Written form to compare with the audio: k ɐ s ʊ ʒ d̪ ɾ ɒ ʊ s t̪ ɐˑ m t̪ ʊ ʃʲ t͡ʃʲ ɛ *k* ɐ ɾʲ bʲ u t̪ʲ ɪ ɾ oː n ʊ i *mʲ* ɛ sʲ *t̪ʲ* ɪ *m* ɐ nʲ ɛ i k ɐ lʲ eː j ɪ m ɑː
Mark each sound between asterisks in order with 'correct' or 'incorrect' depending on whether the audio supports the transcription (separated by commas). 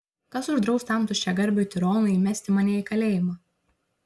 incorrect, correct, correct, correct